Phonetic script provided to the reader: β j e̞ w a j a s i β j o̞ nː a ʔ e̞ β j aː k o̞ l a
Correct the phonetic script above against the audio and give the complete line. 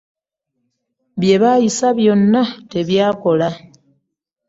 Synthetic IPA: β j e̞ β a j i s a β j o̞ nː a t e̞ β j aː k o̞ l a